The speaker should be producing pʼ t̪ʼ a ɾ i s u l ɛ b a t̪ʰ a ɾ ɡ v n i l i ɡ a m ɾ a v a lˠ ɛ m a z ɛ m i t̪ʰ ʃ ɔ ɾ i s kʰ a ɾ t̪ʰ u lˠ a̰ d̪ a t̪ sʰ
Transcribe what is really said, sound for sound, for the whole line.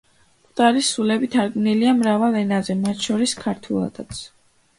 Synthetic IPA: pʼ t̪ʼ a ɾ i s u l ɛ b i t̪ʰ a ɾ ɡ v n i l i a m ɾ a v a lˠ ɛ n a z ɛ m a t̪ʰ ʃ ɔ ɾ i s kʰ a ɾ t̪ʰ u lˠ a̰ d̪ a t̪ sʰ